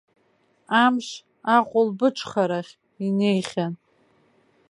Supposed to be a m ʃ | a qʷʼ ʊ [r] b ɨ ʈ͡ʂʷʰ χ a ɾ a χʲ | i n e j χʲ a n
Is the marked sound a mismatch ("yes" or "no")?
yes